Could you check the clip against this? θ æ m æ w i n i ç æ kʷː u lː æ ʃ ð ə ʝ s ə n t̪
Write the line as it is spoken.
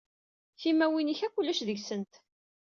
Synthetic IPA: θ i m æ w i n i ç æ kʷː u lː æ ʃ ð ə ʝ s ə n t̪

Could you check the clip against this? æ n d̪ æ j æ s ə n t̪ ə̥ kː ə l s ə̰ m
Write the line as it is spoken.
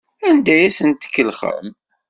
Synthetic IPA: æ n d̪ æ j æ s ə n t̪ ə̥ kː ə l χ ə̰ m

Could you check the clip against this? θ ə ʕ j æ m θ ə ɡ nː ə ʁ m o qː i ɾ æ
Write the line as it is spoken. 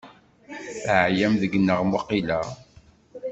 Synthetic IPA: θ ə ʕ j æ m ð ə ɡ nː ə ʁ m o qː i l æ

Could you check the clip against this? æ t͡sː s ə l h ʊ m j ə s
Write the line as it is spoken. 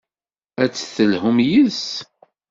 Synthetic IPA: æ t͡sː θ ə l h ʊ m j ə s

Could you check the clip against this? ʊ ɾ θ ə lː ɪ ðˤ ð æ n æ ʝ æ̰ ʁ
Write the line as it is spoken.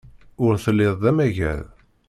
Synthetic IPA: ʊ ɾ θ ə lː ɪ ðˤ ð æ m æ ʝ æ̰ ð

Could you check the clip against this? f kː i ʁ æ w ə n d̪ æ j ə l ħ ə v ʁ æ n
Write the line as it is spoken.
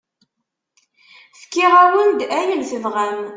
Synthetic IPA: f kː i ʁ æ w ə n d̪ æ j ə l θ ə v ʁ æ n

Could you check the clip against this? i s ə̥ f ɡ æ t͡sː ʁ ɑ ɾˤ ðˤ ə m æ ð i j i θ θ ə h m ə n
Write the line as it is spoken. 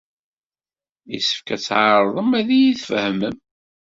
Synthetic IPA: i s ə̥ f k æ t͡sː ʕ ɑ ɾˤ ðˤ ə m æ ð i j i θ f ə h m ə m

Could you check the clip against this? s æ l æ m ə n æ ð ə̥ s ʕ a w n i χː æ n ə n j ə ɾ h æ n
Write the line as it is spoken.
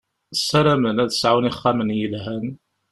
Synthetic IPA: s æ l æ m ə n æ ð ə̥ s ʕ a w n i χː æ m ə n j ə l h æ n

